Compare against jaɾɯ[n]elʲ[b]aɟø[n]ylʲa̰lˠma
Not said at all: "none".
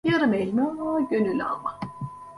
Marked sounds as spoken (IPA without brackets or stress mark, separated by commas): m, m, n